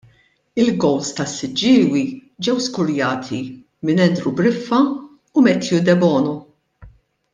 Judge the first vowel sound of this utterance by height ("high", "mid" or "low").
high